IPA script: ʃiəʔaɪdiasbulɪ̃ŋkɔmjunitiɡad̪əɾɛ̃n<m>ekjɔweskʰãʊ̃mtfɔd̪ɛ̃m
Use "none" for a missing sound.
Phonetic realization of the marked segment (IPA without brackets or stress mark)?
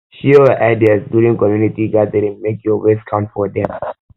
m